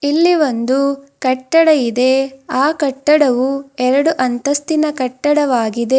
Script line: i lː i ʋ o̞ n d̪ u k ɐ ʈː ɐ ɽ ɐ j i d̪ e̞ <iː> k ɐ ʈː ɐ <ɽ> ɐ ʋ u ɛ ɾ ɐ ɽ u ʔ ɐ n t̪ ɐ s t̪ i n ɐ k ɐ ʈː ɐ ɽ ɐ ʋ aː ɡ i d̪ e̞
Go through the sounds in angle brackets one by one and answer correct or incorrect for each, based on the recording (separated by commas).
incorrect, correct